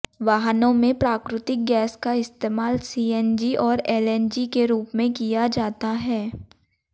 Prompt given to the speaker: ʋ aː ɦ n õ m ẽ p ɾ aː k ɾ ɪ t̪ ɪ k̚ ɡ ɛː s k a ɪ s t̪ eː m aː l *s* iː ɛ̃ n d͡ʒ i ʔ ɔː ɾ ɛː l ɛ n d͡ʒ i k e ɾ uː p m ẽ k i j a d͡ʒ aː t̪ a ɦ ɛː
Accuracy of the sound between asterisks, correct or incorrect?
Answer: correct